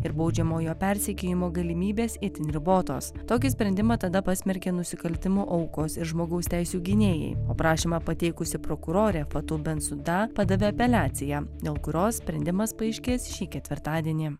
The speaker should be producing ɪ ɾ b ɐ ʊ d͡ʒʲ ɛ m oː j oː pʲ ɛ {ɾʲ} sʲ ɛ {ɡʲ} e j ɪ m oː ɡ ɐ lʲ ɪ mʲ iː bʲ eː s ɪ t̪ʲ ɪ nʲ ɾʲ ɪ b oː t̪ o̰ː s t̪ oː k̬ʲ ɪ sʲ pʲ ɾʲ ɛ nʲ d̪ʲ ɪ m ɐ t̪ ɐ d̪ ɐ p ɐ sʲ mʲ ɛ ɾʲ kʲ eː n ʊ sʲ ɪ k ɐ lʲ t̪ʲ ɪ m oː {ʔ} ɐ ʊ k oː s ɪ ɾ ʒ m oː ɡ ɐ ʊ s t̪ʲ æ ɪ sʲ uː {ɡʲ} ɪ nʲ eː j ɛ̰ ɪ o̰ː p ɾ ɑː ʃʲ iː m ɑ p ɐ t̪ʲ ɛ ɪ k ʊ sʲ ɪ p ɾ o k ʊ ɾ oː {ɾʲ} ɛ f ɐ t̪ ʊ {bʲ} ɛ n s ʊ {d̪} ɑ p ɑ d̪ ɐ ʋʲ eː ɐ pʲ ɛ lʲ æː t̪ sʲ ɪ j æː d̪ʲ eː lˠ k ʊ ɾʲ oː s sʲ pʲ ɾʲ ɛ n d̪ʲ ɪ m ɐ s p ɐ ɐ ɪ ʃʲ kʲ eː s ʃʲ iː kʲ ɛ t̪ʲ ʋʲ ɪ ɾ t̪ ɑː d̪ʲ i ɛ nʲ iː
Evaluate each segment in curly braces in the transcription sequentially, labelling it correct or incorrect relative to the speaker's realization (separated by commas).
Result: correct, incorrect, correct, correct, correct, correct, correct